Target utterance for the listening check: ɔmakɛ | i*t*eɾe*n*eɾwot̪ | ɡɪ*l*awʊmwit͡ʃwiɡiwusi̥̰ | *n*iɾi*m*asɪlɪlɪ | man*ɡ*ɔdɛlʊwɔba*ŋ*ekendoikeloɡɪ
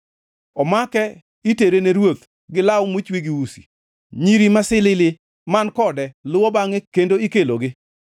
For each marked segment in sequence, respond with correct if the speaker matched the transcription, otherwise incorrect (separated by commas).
correct, correct, correct, incorrect, correct, incorrect, correct